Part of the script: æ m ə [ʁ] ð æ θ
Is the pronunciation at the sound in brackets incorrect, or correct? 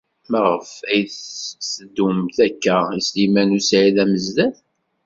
incorrect: z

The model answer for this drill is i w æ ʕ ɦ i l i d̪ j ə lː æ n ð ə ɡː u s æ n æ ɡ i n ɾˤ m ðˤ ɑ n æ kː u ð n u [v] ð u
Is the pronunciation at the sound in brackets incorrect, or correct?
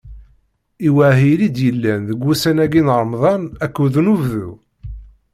correct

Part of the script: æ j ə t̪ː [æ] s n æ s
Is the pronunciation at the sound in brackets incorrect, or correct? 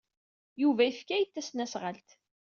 correct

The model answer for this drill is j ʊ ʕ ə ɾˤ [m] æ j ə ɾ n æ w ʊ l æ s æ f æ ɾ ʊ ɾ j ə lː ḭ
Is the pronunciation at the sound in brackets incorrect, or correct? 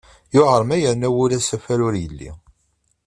correct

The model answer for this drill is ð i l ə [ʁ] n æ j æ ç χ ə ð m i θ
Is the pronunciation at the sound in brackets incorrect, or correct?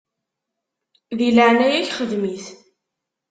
incorrect: ʕ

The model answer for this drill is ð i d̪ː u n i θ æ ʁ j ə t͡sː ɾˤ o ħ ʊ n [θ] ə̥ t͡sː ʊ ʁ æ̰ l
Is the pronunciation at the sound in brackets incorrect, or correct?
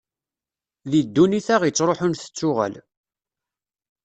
correct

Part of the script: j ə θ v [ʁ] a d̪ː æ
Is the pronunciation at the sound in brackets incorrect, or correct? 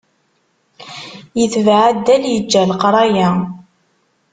incorrect: ʕ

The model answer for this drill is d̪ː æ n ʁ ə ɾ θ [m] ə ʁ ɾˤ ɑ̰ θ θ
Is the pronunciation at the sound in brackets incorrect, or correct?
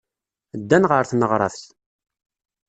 incorrect: n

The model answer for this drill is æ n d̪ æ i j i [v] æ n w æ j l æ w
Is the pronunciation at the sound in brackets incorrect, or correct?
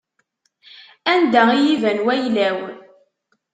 correct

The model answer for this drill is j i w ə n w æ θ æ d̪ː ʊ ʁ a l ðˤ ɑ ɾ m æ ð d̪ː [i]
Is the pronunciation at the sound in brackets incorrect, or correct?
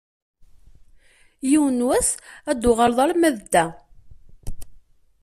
incorrect: æ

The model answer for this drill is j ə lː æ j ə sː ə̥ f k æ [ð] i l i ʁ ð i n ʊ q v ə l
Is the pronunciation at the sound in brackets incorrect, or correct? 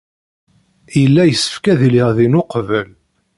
correct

